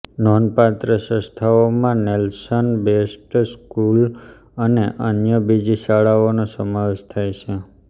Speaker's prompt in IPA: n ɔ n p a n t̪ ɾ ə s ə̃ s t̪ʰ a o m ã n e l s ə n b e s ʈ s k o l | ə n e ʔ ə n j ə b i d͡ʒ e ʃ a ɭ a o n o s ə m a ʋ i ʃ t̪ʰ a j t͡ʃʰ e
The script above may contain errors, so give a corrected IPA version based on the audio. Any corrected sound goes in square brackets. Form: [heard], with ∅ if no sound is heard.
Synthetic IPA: n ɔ n p a [∅] t̪ ɾ ə s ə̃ s t̪ʰ a o m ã n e l s ə n b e s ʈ s k [u] l | ə n e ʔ ə n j ə b i d͡ʒ [i] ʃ a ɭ a o n o s ə m a ʋ [e] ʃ t̪ʰ a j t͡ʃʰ e